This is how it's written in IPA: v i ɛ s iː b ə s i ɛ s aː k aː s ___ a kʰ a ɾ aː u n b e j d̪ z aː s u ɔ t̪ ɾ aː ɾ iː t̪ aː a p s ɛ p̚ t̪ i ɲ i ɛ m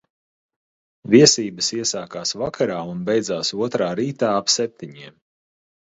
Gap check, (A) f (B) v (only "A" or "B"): B